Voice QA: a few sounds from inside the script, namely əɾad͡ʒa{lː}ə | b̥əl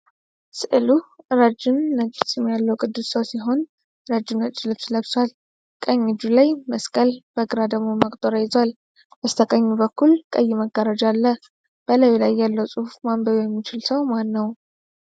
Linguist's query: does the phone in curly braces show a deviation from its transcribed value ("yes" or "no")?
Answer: no